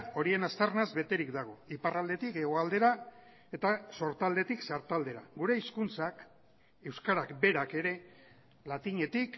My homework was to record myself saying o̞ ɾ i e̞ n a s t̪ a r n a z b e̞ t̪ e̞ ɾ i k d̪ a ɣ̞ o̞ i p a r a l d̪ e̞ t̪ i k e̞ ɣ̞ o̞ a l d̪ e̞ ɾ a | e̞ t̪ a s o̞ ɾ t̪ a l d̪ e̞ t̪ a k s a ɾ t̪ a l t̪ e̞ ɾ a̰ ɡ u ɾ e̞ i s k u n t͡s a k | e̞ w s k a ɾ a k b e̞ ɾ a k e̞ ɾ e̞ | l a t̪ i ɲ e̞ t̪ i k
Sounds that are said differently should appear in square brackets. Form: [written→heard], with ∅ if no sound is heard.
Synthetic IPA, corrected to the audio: o̞ ɾ i e̞ n a s t̪ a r n a z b e̞ t̪ e̞ ɾ i k d̪ a ɣ̞ o̞ i p a r a l d̪ e̞ t̪ i k e̞ ɣ̞ o̞ a l d̪ e̞ ɾ a | e̞ t̪ a s o̞ ɾ t̪ a l d̪ e̞ t̪ [a→i] k s a ɾ t̪ a l [t̪→d̪] e̞ ɾ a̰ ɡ u ɾ e̞ i s k u n t͡s a k | e̞ w s k a ɾ a k b e̞ ɾ a k e̞ ɾ e̞ | l a t̪ i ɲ e̞ t̪ i k

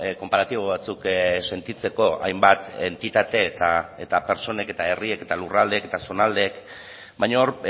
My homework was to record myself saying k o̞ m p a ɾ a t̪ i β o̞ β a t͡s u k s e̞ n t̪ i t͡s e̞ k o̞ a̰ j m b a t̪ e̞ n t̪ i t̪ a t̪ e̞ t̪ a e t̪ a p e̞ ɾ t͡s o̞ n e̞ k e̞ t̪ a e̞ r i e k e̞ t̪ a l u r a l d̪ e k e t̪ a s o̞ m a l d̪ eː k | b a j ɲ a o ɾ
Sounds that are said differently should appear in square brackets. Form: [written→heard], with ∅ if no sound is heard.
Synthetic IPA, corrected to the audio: k o̞ m p a ɾ a t̪ i β o̞ β a t͡s u k s e̞ n t̪ i t͡s e̞ k o̞ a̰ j m b a t̪ e̞ n t̪ i t̪ a t̪ e̞ t̪ a e t̪ a p e̞ ɾ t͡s o̞ n e̞ k e̞ t̪ a e̞ r i e k e̞ t̪ a l u r a l d̪ e k e t̪ a s o̞ [m→n] a l d̪ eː k | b a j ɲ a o ɾ

